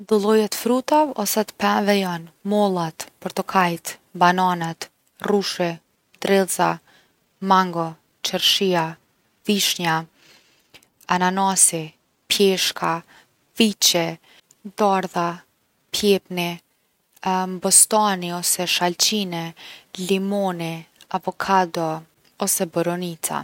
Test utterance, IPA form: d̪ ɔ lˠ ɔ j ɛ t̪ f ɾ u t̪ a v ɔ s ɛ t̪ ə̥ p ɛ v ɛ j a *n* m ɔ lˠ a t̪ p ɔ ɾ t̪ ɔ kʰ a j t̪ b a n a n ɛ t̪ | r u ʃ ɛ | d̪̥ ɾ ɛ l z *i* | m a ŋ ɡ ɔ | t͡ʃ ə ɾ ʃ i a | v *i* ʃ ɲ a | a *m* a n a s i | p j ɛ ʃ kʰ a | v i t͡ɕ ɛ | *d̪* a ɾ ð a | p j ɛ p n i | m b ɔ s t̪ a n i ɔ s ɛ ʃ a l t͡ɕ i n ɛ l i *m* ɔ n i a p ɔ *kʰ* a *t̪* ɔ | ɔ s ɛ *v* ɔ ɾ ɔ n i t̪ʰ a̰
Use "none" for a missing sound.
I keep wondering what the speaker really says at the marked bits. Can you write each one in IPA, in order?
n, a, i, n, d̪, m, kʰ, d̪, b

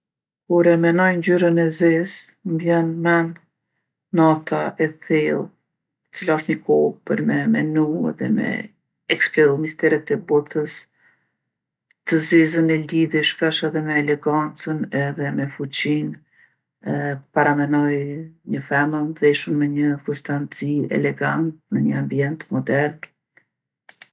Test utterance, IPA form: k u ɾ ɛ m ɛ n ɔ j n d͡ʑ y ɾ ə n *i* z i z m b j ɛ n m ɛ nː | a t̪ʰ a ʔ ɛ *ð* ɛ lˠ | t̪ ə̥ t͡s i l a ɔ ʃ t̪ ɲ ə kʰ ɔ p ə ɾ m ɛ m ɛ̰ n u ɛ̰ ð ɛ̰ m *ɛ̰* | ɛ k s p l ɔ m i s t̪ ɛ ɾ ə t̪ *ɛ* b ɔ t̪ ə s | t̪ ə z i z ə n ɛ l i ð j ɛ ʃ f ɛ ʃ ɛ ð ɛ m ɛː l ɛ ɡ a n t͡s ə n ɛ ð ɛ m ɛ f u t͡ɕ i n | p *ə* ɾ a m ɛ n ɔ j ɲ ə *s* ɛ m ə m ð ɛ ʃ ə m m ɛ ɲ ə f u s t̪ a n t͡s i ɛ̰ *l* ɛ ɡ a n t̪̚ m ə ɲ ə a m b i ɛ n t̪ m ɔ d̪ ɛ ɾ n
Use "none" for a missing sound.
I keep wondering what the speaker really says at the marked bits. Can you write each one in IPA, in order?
ɛ, θ, ɛ̰, ɛ, a, f, l

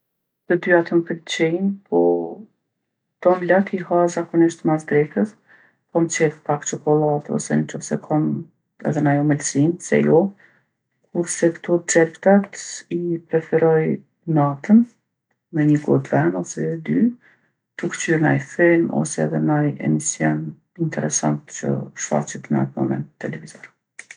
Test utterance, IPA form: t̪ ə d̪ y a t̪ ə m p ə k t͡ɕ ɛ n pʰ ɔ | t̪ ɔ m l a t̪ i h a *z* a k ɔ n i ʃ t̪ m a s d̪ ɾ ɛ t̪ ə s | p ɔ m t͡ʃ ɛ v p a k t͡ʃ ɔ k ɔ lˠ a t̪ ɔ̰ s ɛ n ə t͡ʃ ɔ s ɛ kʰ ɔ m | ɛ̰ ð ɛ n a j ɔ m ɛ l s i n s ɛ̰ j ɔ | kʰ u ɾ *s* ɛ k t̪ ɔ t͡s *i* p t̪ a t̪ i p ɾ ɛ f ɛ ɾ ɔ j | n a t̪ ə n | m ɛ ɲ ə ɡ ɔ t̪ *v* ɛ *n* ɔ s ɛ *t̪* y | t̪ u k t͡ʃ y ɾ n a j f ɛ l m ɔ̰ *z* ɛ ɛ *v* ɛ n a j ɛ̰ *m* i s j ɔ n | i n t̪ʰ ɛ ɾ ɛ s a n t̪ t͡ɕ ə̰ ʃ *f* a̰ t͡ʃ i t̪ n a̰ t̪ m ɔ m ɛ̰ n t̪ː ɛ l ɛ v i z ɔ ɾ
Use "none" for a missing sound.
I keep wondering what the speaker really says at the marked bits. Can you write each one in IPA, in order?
z, s, ɛ, v, n, d̪, s, ð, m, f

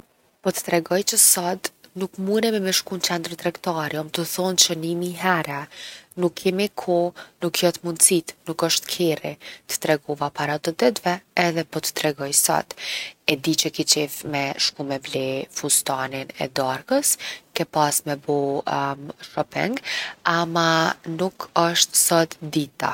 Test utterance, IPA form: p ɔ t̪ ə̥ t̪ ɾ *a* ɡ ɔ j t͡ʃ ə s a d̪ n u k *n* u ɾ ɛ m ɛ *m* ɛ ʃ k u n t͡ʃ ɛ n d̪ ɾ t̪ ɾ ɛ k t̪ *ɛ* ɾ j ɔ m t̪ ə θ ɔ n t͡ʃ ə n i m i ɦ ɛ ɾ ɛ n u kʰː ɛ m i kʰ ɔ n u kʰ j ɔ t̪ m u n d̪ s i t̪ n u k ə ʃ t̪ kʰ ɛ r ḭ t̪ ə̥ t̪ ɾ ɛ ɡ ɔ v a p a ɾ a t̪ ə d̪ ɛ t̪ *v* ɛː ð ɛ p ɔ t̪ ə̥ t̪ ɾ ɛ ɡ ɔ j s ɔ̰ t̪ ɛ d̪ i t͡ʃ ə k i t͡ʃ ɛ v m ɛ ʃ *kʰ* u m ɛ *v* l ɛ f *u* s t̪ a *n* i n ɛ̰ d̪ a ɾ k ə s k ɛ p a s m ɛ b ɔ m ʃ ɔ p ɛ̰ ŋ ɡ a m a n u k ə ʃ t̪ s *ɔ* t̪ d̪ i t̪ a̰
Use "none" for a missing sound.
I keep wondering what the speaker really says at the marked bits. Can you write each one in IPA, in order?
ɛ, m, m, a, v, k, v, u, n, ɔ

